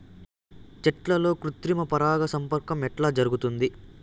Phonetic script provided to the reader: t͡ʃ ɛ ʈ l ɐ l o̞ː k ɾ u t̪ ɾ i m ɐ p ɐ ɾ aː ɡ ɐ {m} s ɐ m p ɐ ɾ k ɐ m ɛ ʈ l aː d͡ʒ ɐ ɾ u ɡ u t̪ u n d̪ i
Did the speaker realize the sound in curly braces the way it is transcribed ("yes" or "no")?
no